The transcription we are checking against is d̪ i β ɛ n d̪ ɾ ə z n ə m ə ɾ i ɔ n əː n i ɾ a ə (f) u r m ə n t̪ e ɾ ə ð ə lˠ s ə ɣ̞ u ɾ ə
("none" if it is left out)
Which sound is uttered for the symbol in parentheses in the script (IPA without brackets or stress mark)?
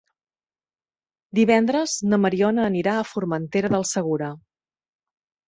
f